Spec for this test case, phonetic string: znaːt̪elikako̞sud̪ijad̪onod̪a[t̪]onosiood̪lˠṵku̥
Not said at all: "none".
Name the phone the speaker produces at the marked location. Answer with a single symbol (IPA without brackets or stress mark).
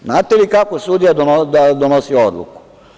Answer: d̪